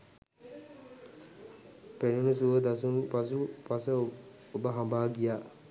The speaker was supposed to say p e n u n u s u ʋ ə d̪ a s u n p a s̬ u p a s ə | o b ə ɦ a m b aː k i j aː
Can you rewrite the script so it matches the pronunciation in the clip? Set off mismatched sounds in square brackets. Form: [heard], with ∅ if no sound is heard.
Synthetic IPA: p e n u n u s u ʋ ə d̪ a s u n p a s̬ u p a s ə | o b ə ɦ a m b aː [ɡ] i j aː